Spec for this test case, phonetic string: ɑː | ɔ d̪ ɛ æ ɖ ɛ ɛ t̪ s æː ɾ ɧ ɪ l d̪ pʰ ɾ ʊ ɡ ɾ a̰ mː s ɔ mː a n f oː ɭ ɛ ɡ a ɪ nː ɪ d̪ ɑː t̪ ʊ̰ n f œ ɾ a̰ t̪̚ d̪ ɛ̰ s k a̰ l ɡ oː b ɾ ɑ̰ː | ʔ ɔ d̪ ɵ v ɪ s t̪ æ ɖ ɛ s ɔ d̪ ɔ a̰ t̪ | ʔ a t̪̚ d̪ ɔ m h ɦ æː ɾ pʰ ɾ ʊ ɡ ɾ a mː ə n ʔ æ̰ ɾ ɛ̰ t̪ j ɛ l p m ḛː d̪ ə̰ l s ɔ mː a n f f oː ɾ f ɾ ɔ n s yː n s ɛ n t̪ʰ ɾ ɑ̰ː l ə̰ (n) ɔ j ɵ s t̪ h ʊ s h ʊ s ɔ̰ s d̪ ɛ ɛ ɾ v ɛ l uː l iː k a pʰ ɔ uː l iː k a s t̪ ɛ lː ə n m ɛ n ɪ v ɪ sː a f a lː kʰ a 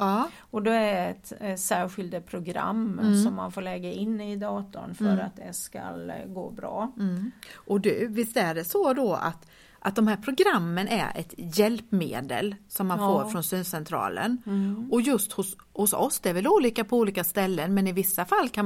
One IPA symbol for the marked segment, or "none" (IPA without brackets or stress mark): n